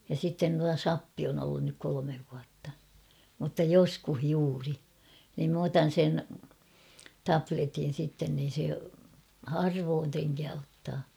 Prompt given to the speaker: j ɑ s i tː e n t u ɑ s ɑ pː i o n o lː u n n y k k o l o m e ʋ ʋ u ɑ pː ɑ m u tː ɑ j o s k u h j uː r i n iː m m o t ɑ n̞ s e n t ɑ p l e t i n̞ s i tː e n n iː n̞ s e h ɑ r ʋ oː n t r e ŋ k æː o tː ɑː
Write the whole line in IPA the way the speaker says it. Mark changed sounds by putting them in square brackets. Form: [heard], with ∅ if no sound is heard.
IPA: j ɑ s i tː e n t u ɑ s ɑ pː i o n o lː u n n y k k o l o m e ʋ ʋ u ɑ [tː] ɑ m u tː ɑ j o s k u h j uː r i n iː m m o t ɑ n̞ s e n t ɑ p l e t i n̞ s i tː e n n iː n̞ s e h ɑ r ʋ oː n t r e ŋ k æː o tː ɑː

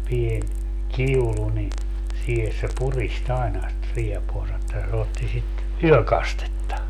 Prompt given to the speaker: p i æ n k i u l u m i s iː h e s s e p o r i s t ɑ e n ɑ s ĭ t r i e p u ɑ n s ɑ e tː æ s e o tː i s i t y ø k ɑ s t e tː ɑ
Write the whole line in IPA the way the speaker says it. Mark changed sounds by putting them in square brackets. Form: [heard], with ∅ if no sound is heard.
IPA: p i [e] n k i u l u [n] i s iː h e s s e p [u] r i s t ɑ e n ɑ s ĭ t r i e p u ɑ n s ɑ e tː æ s e o tː i s i t y ø k ɑ s t e tː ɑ

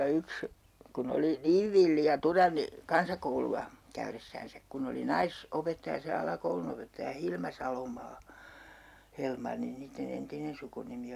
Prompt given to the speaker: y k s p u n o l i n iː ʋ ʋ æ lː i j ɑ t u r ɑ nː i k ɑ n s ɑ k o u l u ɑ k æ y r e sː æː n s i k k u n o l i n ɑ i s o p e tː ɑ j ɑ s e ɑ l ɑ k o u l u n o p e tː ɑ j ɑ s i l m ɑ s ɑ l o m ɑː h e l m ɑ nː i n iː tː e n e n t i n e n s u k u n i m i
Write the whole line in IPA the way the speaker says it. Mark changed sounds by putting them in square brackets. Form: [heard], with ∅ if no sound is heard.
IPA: y k s [k] u n o l i n iː ʋ ʋ [i] lː i j ɑ t u r ɑ nː i k ɑ n s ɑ k o u l u ɑ k æ y r e sː æː n s [æ] k k u n o l i n ɑ i s o p e tː ɑ j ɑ s e ɑ l ɑ k o u l u n o p e tː ɑ j ɑ [h] i l m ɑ s ɑ l o m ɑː h e l m ɑ nː i n iː tː e n e n t i n e n s u k u n i m i

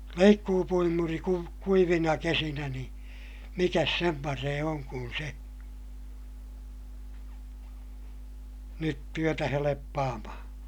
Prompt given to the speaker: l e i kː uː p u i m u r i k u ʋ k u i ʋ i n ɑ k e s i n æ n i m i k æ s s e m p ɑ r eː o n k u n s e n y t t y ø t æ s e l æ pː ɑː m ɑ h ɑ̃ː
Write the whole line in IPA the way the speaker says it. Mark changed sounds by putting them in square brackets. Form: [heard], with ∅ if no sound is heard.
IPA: l e i kː uː p u i m u r i k u ʋ k u i ʋ i n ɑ k e s i n æ n i m i k æ s s e m p ɑ r eː o [ŋ] k u n s e n y t t y ø t æ [h] e l [e] pː ɑː m ɑ h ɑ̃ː

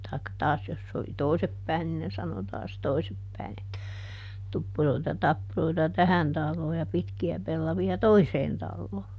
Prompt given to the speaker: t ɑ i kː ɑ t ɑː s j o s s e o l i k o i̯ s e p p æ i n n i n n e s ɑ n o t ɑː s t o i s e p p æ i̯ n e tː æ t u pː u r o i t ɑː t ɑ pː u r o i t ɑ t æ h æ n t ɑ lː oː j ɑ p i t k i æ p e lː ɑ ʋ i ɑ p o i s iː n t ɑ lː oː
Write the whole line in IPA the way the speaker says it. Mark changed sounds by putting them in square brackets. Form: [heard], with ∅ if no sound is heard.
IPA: t ɑ i kː ɑ t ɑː s j o s s e o l i [t] o i̯ s e p p æ i n n i n n e s ɑ n o t ɑː s t o i s e p p æ i̯ n e tː æ t u pː u r o i t [ɑ] t ɑ pː u r o i t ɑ t æ h æ n t ɑ lː oː j ɑ p i t k i æ p e lː ɑ ʋ i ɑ [t] o i s [eː] n t ɑ lː oː

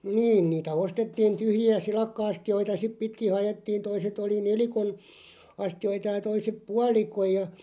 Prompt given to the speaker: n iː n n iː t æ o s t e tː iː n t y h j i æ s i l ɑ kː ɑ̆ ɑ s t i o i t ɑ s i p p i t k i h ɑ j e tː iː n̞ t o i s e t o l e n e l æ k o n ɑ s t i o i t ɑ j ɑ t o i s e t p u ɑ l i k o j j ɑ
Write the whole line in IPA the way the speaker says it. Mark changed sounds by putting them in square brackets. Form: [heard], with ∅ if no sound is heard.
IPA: n iː n n iː t æ o s t e tː iː n t y h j i æ s i l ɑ kː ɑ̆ ɑ s t i o i t ɑ s i p p i t k i h ɑ j e tː iː n̞ t o i s e t o l [i] n e l [i] k o n ɑ s t i o i t ɑ j ɑ t o i s e [p] p u ɑ l i k o j j ɑ

